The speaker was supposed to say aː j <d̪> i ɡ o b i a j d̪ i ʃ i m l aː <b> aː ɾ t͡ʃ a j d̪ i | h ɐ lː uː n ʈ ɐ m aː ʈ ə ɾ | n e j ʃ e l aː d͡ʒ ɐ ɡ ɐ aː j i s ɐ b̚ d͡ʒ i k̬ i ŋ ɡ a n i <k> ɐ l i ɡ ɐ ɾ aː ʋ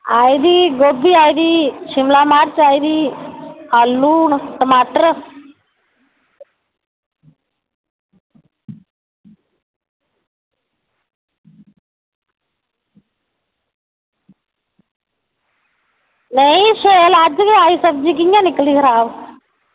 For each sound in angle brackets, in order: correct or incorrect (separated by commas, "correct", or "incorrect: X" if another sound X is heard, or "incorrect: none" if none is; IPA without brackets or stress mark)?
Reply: correct, incorrect: m, correct